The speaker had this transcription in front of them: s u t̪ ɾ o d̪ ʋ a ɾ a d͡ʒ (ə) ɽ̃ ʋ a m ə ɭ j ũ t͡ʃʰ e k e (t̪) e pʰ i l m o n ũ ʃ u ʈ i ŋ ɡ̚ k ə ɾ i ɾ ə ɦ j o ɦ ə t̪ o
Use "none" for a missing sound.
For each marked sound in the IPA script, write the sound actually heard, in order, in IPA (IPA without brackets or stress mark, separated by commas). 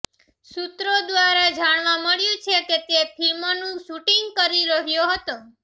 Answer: a, t̪